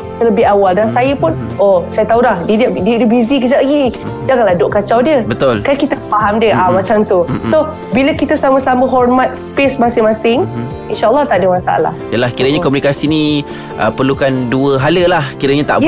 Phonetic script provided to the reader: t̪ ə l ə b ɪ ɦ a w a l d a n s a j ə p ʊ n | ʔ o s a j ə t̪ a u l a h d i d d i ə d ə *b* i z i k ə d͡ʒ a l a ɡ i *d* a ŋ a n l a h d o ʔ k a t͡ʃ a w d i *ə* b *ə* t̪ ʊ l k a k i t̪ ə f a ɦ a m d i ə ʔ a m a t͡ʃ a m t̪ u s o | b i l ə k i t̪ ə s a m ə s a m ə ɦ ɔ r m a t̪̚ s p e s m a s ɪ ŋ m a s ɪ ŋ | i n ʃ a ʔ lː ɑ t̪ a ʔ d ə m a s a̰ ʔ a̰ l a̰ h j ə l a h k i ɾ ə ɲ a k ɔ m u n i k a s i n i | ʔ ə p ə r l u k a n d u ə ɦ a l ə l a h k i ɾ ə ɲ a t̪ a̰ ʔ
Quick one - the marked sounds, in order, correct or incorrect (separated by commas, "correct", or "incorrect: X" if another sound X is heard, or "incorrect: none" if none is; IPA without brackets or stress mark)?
correct, incorrect: d͡ʒ, correct, correct